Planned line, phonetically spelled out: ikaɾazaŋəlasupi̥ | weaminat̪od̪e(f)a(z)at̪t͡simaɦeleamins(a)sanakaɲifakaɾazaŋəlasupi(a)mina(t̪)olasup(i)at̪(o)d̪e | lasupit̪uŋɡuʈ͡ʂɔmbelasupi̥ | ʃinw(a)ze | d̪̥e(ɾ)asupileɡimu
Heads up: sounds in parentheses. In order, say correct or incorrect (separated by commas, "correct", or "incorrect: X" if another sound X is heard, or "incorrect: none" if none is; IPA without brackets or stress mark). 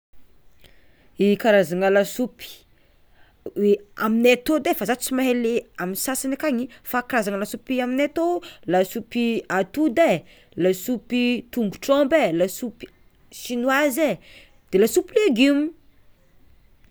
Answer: correct, correct, correct, correct, correct, correct, incorrect: u, correct, incorrect: l